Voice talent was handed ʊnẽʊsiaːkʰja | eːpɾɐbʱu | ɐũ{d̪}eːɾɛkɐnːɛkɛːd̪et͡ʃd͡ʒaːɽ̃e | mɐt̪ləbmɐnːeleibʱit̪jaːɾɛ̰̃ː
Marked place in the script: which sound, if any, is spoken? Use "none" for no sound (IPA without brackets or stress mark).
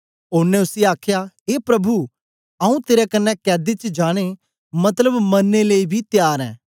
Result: t̪